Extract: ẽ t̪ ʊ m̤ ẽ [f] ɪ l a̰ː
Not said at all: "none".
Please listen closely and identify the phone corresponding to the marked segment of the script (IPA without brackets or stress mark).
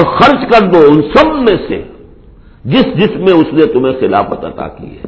x